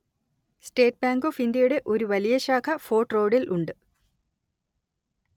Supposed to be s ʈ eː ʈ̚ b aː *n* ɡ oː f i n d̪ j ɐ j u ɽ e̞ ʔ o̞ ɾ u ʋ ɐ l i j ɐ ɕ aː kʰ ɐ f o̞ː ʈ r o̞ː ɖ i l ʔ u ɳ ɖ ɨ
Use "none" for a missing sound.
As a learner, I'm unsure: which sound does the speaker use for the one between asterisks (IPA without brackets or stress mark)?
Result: ŋ